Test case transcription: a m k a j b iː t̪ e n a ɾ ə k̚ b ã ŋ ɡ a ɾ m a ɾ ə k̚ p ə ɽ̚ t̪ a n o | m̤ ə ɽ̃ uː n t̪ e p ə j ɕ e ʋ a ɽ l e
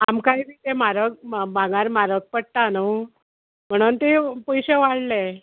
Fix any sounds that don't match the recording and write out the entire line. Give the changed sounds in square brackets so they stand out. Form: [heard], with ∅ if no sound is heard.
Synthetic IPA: a m k a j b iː t̪ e [m] a ɾ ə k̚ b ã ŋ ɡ a ɾ m a ɾ ə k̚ p ə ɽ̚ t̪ a n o | m̤ ə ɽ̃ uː n t̪ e p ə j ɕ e ʋ a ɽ l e